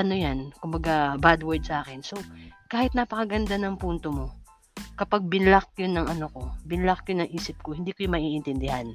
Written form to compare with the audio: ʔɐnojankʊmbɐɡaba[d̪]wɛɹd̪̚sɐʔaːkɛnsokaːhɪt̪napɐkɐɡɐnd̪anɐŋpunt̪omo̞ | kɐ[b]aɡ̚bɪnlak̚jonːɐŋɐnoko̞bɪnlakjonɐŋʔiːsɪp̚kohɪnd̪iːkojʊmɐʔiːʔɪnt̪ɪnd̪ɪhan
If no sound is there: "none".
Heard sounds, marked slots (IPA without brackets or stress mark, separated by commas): d̪, p